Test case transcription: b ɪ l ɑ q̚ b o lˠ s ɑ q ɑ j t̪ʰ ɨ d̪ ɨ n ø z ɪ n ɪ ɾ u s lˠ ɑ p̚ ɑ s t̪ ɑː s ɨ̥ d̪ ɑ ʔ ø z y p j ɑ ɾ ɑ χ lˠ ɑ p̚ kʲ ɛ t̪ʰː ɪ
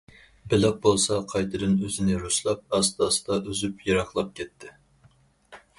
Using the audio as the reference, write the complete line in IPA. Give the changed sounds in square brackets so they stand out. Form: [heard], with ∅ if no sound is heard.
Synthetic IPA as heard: b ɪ l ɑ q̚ b o lˠ s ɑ [qʰ] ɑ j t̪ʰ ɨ d̪ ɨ n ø z ɪ n ɪ ɾ u s lˠ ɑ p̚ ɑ s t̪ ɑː s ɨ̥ d̪ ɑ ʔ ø z y p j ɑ ɾ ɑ χ lˠ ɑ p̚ kʲ ɛ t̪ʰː ɪ